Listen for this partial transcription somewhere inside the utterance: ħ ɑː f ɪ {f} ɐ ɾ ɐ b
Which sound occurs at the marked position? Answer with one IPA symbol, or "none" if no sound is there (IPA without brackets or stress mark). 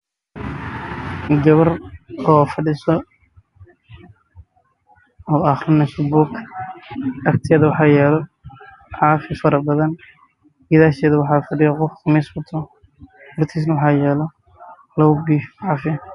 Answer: f